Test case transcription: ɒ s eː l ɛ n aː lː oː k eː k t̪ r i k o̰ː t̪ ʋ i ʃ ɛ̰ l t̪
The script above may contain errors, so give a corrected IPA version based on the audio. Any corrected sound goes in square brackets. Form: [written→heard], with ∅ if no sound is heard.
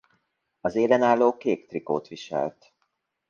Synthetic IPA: ɒ [s→z] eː l ɛ n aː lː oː k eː k t̪ r i k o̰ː t̪ ʋ i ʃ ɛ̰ l t̪